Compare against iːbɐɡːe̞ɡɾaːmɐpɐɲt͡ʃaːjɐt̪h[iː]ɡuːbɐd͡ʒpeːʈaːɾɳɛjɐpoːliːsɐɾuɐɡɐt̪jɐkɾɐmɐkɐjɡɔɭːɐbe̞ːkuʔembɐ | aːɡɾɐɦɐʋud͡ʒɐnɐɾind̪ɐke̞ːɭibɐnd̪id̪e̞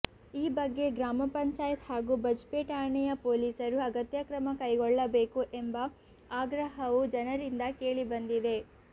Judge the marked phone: incorrect: aː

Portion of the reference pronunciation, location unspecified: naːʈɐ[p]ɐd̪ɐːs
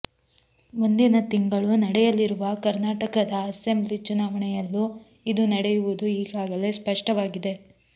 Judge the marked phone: incorrect: k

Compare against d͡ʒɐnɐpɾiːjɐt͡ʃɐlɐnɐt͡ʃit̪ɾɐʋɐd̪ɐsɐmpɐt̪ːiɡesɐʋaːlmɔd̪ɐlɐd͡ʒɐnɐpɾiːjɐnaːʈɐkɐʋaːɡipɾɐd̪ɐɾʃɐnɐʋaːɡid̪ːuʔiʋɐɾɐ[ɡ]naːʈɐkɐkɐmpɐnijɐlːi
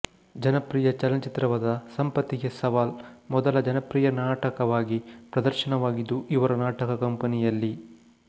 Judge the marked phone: incorrect: none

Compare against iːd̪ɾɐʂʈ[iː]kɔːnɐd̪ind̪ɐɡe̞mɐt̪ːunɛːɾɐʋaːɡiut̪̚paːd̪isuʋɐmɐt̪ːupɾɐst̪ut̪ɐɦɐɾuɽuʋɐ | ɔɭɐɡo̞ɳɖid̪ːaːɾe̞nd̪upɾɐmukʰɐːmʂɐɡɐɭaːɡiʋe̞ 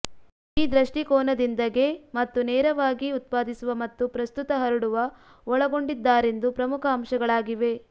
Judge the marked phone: incorrect: i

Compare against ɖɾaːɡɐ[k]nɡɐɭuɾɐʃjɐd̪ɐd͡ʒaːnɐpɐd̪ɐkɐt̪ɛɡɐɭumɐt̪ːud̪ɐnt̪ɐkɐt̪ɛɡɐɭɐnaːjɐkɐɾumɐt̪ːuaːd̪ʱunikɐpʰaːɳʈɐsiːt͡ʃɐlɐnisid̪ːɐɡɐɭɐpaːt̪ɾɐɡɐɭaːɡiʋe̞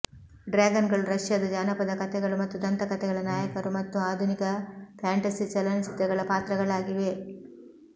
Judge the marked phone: incorrect: none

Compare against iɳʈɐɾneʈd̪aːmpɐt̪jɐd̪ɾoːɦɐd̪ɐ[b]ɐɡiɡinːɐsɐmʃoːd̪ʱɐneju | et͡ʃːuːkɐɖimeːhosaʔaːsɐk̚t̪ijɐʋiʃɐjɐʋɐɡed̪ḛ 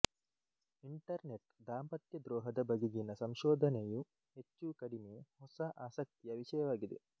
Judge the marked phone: correct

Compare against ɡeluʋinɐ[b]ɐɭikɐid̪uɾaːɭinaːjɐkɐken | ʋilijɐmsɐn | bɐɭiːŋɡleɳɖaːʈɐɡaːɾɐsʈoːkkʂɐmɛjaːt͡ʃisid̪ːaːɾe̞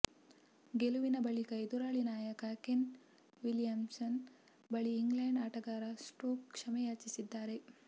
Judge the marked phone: correct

